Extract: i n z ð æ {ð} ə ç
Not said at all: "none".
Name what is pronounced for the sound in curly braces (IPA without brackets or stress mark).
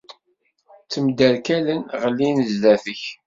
θ